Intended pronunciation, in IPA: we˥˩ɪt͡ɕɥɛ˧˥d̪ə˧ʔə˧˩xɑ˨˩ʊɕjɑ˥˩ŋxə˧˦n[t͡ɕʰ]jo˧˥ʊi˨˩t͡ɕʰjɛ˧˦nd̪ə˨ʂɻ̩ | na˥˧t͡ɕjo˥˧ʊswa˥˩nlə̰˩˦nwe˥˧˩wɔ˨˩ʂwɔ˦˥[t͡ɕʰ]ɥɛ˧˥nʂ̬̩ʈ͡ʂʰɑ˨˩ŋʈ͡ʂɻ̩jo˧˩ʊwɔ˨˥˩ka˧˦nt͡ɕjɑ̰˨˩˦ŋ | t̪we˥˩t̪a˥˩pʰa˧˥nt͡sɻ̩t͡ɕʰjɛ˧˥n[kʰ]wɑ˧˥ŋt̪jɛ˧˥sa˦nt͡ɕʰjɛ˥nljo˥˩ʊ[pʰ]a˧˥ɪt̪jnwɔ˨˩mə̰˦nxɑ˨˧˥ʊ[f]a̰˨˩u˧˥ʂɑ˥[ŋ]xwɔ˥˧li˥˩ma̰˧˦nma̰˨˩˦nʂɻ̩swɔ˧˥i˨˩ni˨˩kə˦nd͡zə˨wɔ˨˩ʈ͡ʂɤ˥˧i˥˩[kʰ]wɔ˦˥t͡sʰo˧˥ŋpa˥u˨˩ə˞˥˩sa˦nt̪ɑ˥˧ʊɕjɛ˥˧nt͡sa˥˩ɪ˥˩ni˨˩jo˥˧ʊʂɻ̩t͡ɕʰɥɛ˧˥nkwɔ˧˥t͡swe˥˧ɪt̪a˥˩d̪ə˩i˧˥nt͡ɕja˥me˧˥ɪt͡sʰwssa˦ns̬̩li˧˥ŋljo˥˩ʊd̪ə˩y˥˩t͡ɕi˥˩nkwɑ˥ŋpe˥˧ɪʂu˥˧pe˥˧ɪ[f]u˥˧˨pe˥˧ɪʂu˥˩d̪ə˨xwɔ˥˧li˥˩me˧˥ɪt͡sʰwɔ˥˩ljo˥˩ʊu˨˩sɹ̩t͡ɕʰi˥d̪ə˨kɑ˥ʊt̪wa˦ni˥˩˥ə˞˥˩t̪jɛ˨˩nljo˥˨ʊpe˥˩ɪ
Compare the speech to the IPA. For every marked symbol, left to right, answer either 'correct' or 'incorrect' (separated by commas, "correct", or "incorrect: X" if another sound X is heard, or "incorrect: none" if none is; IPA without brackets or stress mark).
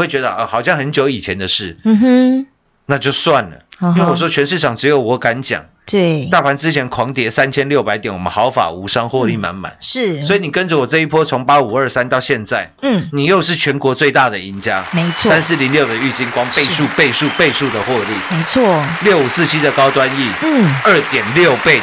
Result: incorrect: t͡ɕ, correct, correct, incorrect: p, correct, correct, incorrect: pʰ, incorrect: ʂ